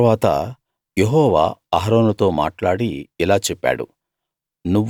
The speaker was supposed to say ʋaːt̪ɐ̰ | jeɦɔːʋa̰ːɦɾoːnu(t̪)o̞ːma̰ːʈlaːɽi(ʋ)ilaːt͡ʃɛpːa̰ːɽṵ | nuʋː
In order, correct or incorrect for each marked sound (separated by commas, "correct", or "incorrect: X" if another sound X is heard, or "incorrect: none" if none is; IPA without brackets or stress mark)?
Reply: correct, incorrect: none